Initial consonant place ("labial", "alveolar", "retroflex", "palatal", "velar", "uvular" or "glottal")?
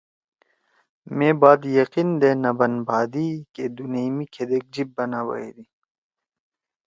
labial